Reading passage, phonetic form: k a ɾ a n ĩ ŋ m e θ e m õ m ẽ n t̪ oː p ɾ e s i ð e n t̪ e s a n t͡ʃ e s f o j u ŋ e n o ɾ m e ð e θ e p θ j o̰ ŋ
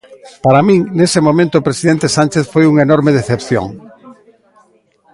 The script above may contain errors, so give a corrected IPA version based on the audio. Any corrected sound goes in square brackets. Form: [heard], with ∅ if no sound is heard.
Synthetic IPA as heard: [p] a ɾ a [m] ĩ ŋ [n] e [s] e m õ m ẽ n t̪ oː p ɾ e s i ð e n t̪ e s a n t͡ʃ e [θ] f o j u ŋ e n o ɾ m e ð e θ e p θ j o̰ ŋ

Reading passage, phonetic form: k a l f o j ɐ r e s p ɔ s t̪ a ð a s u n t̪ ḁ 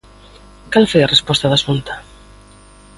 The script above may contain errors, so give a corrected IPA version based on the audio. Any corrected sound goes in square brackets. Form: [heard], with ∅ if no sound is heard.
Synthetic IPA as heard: k a l f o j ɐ r e s p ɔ s t̪ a ð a s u n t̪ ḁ

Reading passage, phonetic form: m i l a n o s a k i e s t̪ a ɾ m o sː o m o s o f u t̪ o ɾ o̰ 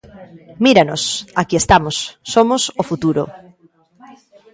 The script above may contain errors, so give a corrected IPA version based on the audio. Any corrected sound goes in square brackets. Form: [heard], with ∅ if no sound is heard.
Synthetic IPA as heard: m i [ɾ] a n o s a k i e s t̪ a [∅] m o sː o m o s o f u t̪ [u] ɾ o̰

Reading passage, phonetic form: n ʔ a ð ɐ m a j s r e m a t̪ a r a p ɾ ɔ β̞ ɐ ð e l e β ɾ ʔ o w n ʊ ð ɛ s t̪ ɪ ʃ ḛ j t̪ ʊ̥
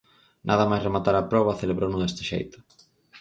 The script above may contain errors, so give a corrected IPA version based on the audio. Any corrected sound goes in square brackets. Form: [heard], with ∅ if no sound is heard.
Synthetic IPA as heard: n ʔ a ð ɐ m a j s r e m a t̪ a [ɾ] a p ɾ ɔ β̞ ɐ [θ] e l e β ɾ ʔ o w n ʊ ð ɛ s t̪ ɪ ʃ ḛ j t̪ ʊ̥

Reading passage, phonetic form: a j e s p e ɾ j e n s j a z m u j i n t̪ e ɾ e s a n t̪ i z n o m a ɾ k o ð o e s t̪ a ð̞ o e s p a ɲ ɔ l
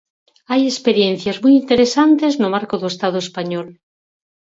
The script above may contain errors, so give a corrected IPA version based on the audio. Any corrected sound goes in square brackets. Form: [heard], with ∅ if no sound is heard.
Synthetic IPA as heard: a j e s p e ɾ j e n [θ] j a z m u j i n t̪ e ɾ e s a n t̪ [e] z n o m a ɾ k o ð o e s t̪ a ð̞ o e s p a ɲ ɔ l

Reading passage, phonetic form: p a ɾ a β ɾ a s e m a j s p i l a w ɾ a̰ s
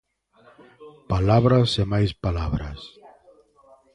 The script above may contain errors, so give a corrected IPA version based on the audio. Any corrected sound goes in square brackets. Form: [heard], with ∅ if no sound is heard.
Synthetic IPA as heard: p a [l] a β ɾ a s e m a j s p [a] l a [β] ɾ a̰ s

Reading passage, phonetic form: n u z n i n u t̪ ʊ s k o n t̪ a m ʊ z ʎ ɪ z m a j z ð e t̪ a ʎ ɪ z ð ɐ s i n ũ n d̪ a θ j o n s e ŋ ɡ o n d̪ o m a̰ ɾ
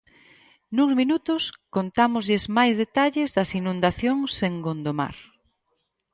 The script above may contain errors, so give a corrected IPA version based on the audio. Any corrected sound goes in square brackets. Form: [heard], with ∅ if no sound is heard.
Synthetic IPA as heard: n u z [m] i n u t̪ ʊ s k o n t̪ a m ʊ z ʎ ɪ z m a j z ð e t̪ a ʎ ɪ z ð ɐ s i n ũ n d̪ a θ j o [ŋ] s e ŋ ɡ o n d̪ o m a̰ ɾ

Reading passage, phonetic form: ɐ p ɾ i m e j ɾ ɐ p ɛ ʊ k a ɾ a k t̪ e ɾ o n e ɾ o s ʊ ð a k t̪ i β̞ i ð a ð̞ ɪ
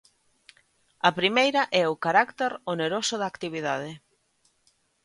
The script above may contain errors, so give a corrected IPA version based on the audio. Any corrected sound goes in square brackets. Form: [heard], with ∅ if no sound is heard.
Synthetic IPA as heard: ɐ p ɾ i m e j ɾ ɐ [ʔ] ɛ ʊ k a ɾ a k t̪ e ɾ o n e ɾ o s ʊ ð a k t̪ i β̞ i ð a ð̞ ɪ

